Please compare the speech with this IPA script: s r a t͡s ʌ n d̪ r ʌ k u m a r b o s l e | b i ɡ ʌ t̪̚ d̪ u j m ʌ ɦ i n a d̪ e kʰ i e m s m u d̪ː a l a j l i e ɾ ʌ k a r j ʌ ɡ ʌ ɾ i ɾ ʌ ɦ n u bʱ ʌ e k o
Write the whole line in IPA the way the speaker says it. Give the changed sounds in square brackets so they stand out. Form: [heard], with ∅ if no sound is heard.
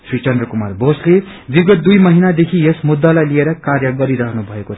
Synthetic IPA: s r [i] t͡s ʌ n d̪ r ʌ k u m a r b o s l e | b i ɡ ʌ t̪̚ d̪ u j m ʌ ɦ i n a d̪ e kʰ i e [∅] s m u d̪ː a l a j l i e ɾ ʌ k a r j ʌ ɡ ʌ ɾ i ɾ ʌ ɦ n u bʱ ʌ e k o

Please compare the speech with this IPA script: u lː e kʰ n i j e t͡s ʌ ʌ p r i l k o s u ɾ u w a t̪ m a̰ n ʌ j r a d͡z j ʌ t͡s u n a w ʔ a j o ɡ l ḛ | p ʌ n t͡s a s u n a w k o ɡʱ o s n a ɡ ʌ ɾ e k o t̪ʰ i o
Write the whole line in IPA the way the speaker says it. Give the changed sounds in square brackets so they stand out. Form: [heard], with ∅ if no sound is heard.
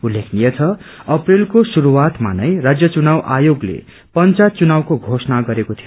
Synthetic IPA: u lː e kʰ n i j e [t͡sʰ] ʌ ʌ p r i l k o s u ɾ u w a t̪ m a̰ n ʌ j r a d͡z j ʌ t͡s u n a w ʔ a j o ɡ l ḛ | p ʌ n t͡s a [t͡s] u n a w k o ɡʱ o s n a ɡ ʌ ɾ e k o t̪ʰ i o

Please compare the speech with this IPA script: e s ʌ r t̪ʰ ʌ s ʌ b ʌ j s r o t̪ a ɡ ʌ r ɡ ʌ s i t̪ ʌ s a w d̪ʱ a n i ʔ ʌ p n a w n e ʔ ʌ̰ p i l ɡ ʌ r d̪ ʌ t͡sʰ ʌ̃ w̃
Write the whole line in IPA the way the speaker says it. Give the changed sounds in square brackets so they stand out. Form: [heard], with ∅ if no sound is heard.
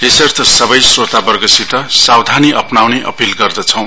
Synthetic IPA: e s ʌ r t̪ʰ ʌ s ʌ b ʌ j s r o t̪ a [b] ʌ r ɡ ʌ s i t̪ ʌ s a w d̪ʱ a n i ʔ ʌ p n a w n e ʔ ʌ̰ p i l ɡ ʌ r d̪ ʌ t͡sʰ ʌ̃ w̃

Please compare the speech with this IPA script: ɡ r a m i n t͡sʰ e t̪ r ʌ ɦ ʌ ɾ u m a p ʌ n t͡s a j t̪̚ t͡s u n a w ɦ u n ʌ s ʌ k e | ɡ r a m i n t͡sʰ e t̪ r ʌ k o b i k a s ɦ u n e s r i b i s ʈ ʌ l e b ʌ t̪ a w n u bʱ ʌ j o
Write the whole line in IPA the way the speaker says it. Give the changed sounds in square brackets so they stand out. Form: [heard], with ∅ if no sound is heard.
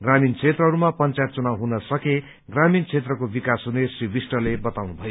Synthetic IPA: ɡ r a m i n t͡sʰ e t̪ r ʌ ɦ ʌ ɾ u m a p ʌ n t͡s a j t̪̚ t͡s u n a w ɦ u n ʌ s ʌ k e | ɡ r a m i n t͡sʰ e t̪ r ʌ k o b i k a s ɦ u n e s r i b i s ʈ ʌ l e b ʌ t̪ a w n u bʱ ʌ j o

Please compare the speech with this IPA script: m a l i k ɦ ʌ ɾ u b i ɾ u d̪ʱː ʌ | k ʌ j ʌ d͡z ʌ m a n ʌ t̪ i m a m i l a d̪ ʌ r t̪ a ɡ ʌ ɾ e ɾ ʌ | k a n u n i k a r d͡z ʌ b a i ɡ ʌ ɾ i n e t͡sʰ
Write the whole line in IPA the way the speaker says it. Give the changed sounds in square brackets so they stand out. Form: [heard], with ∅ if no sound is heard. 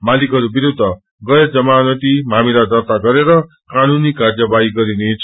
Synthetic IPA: m a l i k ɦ ʌ ɾ u b i ɾ u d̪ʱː ʌ | [ɡ] ʌ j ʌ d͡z ʌ m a n ʌ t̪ i m a m i l a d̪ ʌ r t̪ a ɡ ʌ ɾ e ɾ ʌ | k a n u n i k a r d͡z ʌ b a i ɡ ʌ ɾ i n e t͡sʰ

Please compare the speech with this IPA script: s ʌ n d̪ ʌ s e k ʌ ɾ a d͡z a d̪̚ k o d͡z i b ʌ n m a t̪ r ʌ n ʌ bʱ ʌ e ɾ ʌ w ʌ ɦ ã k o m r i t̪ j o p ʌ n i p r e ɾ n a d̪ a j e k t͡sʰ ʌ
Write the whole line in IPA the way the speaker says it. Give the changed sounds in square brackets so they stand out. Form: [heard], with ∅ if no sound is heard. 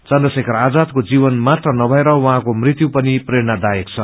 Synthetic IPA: [t͡s] ʌ n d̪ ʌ s e k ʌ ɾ a d͡z a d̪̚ k o d͡z i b ʌ n m a t̪ r ʌ n ʌ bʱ ʌ e ɾ ʌ w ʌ ɦ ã k o m r i t̪ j [u] p ʌ n i p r e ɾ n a d̪ a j e k t͡sʰ ʌ

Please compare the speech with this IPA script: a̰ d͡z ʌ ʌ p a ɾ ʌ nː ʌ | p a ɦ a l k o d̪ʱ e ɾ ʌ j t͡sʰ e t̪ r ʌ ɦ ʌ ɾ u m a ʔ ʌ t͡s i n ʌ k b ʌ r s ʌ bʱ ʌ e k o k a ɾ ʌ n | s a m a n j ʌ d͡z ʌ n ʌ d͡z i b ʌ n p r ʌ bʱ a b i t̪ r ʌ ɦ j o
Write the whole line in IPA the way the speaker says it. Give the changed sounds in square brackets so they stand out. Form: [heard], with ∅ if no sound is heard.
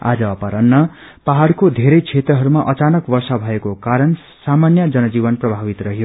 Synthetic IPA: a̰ d͡z ʌ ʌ p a ɾ ʌ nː ʌ | p a ɦ a [ɽ] k o d̪ʱ e ɾ ʌ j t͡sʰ e t̪ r ʌ ɦ ʌ ɾ u m a ʔ ʌ t͡s [a] n ʌ k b ʌ r s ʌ bʱ ʌ e k o k a ɾ ʌ n | s a m a n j ʌ d͡z ʌ n ʌ d͡z i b ʌ n p r ʌ bʱ a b i t̪ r ʌ ɦ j o

